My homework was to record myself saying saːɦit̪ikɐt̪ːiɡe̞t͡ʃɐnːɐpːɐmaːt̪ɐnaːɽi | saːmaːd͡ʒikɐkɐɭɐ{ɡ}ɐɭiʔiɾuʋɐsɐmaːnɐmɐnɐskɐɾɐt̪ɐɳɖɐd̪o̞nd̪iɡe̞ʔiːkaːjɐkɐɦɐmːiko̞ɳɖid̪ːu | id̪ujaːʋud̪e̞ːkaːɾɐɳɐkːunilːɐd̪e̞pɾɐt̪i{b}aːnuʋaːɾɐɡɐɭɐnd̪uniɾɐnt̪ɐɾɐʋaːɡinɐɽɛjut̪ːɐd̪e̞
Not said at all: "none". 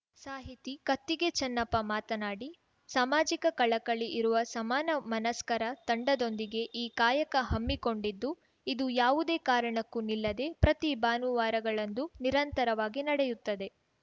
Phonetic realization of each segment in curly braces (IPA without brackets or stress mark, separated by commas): k, b